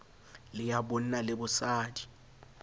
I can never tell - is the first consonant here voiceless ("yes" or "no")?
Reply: no